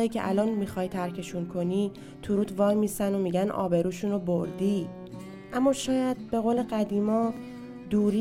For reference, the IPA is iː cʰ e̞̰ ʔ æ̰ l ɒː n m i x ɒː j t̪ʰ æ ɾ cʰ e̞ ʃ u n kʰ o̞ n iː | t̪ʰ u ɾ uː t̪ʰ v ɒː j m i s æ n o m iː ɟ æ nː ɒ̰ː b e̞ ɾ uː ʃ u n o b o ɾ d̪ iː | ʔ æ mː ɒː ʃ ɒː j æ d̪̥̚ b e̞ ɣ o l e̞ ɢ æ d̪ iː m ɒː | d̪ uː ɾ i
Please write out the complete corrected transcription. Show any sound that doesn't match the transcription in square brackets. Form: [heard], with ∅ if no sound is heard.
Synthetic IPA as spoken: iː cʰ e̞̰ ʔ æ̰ l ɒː n m i x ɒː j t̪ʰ æ ɾ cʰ e̞ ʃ u n kʰ o̞ n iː | t̪ʰ u ɾ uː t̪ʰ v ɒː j m i s æ n o m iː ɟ æ [n] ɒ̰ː b e̞ ɾ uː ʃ u n o b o ɾ d̪ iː | ʔ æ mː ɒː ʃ ɒː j æ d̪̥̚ b e̞ ɣ o l e̞ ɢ æ d̪ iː m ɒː | d̪ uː ɾ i